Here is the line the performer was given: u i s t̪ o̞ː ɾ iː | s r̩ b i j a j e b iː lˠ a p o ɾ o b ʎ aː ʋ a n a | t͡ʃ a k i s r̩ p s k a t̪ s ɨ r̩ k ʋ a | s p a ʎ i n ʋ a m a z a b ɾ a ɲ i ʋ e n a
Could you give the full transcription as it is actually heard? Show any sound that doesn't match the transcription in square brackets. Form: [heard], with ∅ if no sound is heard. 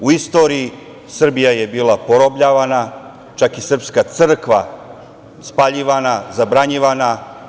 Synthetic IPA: u i s t̪ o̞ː ɾ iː | s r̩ b i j a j e b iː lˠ a p o ɾ o b ʎ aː ʋ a n a | t͡ʃ a k i s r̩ p s k a t̪ s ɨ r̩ k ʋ a | s p a ʎ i [∅] ʋ a [n] a z a b ɾ a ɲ i ʋ [a] n a